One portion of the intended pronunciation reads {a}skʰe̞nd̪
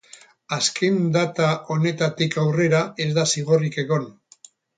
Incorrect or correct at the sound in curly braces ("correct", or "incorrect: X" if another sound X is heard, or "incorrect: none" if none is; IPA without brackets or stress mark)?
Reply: correct